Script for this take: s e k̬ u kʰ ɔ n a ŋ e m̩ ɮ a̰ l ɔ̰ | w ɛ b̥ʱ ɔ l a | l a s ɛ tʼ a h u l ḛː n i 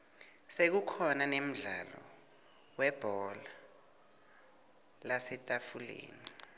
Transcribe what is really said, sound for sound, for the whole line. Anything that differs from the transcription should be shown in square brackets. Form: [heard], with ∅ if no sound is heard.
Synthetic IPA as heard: s e k̬ u kʰ ɔ n a [n] e m̩ ɮ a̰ l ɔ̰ | w ɛ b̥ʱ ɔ l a | l a s ɛ tʼ a [f] u l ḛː n i